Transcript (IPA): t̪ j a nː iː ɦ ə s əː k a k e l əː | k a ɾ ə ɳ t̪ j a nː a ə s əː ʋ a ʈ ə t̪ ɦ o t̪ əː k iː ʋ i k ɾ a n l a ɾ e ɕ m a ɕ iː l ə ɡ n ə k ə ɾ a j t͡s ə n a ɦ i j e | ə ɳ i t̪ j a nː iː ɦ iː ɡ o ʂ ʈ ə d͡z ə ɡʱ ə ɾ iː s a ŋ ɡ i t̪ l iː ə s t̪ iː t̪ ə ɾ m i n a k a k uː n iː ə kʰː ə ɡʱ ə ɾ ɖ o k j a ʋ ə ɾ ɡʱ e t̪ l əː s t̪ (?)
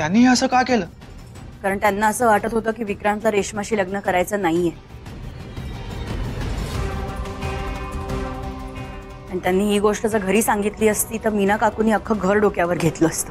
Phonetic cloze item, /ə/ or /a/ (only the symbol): ə